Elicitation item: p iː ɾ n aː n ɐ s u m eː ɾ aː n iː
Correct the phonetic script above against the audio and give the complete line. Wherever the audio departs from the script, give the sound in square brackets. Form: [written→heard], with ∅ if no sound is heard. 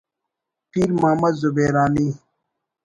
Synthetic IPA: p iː ɾ [n→m] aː [n→m] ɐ [s→z] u [m→b] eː ɾ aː n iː